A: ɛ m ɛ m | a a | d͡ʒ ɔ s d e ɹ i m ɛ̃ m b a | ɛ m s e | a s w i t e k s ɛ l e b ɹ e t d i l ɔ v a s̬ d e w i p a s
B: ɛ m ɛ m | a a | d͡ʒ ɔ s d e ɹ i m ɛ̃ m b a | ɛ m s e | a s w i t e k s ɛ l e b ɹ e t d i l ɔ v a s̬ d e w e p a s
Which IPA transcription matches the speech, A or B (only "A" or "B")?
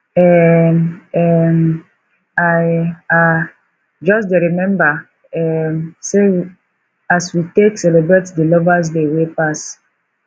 B